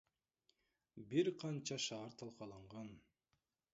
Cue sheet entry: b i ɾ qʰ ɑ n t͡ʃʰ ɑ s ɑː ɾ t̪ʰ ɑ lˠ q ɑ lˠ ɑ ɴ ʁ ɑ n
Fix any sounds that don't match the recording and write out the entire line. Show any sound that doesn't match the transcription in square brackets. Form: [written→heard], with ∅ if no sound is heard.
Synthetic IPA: b i ɾ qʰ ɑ n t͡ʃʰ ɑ [s→ʃ] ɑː ɾ t̪ʰ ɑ lˠ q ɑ lˠ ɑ ɴ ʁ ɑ n